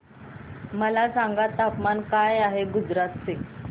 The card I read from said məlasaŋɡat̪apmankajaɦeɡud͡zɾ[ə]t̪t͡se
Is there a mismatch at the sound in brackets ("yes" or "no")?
yes